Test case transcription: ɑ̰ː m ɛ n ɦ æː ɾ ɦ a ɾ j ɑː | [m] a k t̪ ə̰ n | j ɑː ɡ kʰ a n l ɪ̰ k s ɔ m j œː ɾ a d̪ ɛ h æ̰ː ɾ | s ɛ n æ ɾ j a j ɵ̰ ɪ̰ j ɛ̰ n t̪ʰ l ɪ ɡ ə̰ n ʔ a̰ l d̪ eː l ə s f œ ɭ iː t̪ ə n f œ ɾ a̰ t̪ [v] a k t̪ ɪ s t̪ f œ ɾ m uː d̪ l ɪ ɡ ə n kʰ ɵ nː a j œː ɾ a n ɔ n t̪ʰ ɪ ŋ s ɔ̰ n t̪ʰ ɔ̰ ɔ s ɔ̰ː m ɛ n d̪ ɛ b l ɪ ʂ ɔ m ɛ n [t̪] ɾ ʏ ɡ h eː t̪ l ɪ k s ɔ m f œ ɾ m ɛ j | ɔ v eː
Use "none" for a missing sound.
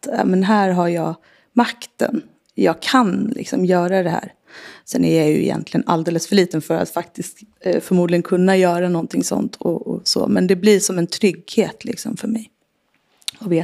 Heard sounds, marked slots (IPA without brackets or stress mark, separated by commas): m, f, t̪ʰ